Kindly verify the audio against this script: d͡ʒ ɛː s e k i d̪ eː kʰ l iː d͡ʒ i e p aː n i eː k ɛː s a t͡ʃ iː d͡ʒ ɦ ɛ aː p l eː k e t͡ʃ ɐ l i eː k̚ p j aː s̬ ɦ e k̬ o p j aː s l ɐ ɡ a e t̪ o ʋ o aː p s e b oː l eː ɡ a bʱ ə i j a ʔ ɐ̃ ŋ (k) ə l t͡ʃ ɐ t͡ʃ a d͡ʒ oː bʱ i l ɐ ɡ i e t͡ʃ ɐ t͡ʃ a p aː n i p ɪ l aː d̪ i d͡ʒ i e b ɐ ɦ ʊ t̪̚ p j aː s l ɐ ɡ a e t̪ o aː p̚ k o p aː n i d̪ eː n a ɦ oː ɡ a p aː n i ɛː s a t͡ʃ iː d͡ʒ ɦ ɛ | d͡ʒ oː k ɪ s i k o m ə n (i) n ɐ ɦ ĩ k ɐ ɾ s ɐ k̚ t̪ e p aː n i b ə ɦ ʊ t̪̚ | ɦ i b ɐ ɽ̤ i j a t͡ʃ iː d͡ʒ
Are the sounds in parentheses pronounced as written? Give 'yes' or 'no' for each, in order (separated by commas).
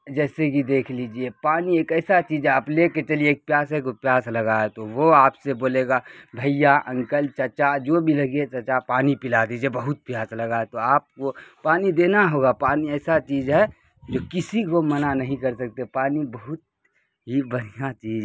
yes, no